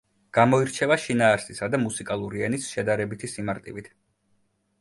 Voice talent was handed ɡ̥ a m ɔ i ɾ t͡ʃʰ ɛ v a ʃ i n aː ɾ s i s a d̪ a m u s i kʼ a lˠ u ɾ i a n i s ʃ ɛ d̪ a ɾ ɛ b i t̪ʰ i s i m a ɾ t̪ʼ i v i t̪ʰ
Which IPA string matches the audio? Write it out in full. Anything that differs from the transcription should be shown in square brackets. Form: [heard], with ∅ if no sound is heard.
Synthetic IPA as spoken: ɡ̥ a m ɔ i ɾ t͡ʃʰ ɛ v a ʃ i n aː ɾ s i s a d̪ a m u s i kʼ a lˠ u ɾ i [ɛ] n i s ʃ ɛ d̪ a ɾ ɛ b i t̪ʰ i s i m a ɾ t̪ʼ i v i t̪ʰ